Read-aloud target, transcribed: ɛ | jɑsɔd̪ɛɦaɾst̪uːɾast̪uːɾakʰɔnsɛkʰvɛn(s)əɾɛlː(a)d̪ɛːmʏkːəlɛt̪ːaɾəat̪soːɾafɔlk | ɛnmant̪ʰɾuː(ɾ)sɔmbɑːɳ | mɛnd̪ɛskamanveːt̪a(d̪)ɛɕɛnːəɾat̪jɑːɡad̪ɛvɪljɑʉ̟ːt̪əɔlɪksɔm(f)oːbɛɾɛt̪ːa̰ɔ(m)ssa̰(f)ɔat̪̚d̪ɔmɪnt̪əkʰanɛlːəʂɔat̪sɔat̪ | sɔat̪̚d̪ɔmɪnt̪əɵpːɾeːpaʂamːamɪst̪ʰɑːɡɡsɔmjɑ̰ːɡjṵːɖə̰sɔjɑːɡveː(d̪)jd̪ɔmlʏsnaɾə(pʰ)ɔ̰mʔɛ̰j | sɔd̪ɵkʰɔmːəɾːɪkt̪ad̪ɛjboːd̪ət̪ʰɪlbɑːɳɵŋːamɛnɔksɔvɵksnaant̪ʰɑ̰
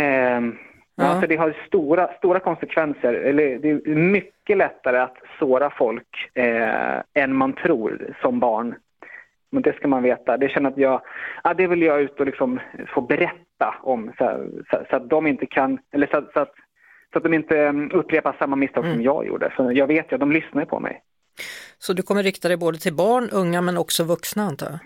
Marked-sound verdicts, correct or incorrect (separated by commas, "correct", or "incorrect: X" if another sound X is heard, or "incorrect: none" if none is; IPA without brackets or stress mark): correct, incorrect: ə, correct, correct, correct, correct, incorrect: s, incorrect: t̪, correct